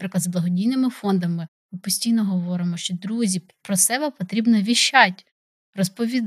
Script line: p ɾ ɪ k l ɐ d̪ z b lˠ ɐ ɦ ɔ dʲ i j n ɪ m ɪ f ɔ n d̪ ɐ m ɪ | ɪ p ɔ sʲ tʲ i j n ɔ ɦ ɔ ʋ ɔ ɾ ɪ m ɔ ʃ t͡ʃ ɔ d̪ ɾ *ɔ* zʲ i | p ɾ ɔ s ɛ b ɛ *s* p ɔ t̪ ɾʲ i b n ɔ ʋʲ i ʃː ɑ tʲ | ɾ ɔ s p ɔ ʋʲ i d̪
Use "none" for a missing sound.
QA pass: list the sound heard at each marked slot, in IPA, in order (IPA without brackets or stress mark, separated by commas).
u, none